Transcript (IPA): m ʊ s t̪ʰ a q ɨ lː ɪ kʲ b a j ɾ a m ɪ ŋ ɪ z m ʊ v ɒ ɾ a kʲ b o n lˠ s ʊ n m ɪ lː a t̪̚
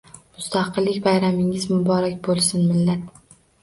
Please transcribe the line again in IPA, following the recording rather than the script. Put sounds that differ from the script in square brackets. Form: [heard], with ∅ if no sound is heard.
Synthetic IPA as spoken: m ʊ s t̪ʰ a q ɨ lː ɪ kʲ b a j ɾ a m ɪ ŋ ɪ z m ʊ [b] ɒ ɾ a kʲ b o [∅] lˠ s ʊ n m ɪ lː a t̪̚